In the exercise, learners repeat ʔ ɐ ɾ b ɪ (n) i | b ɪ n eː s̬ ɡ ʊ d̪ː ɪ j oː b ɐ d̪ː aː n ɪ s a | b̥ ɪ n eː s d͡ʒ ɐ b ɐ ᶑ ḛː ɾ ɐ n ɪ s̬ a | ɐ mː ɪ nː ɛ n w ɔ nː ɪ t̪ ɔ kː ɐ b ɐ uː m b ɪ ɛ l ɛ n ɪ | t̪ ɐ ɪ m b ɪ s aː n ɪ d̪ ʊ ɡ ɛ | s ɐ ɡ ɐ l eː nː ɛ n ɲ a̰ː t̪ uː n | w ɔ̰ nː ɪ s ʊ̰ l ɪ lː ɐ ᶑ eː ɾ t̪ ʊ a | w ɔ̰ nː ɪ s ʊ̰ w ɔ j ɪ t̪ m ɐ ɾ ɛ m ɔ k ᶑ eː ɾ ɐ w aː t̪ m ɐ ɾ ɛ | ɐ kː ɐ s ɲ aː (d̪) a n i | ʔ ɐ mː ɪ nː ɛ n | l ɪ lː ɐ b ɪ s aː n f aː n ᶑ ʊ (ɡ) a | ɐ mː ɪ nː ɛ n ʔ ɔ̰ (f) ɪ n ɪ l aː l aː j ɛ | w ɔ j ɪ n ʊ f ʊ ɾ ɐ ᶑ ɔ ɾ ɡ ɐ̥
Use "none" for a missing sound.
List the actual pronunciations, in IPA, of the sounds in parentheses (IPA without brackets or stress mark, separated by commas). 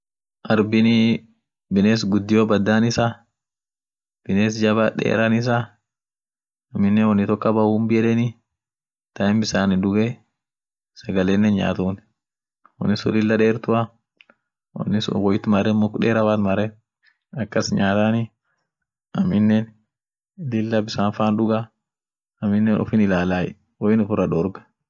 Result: n, t̪, ɡ, f